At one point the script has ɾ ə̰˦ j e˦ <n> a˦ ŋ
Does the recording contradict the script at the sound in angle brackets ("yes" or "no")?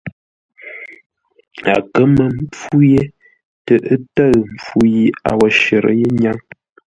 yes